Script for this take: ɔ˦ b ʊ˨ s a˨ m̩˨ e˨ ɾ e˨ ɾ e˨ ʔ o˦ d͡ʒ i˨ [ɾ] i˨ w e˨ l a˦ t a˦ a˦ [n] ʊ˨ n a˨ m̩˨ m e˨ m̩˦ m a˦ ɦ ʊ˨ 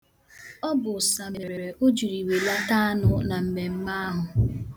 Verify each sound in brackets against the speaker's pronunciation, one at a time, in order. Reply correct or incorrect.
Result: correct, correct

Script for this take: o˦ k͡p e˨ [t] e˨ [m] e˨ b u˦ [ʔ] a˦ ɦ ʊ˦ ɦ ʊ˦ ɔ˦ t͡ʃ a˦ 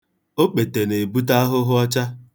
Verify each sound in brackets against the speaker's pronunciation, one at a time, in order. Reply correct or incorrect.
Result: correct, incorrect: n, incorrect: t

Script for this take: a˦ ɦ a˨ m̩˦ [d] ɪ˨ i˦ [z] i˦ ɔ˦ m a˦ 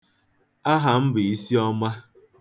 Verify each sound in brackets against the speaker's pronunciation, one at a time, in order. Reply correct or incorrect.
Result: incorrect: b, incorrect: s

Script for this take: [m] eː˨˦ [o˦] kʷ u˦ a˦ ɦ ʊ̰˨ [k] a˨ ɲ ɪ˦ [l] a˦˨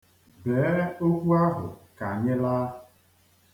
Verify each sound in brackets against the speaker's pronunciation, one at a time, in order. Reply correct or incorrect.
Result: incorrect: b, correct, correct, correct

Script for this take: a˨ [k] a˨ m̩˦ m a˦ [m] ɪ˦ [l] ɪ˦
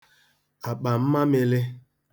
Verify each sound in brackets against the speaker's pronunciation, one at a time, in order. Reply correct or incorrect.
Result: incorrect: k͡p, correct, correct

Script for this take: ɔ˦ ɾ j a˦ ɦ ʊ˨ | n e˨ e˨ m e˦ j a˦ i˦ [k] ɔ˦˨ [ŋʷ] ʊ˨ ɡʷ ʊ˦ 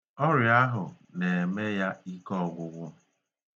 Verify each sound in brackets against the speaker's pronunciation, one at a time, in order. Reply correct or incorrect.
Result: correct, incorrect: ɡʷ

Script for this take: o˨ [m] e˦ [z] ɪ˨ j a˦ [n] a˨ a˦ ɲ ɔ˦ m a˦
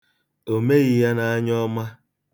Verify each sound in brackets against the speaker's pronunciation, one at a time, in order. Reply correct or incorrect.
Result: correct, incorrect: ɣ, correct

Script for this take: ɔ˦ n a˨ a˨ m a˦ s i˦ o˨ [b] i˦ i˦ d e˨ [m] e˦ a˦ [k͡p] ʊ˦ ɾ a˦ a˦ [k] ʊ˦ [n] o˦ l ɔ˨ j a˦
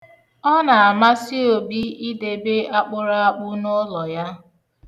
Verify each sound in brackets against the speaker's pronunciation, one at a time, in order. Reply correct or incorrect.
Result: correct, incorrect: b, correct, incorrect: k͡p, correct

